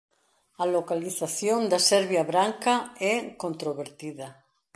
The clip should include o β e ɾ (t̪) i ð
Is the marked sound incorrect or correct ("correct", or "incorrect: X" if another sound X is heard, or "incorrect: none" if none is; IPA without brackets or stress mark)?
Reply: correct